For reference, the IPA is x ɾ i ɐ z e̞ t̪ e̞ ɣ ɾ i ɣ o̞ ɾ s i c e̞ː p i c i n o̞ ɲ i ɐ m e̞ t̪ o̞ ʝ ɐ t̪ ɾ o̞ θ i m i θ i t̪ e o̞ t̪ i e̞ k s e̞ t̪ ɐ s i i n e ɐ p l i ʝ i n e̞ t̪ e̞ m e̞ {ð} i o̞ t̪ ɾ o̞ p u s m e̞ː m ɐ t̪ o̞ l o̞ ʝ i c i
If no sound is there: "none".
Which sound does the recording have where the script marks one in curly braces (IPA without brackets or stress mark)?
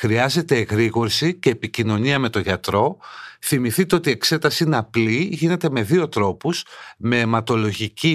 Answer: ð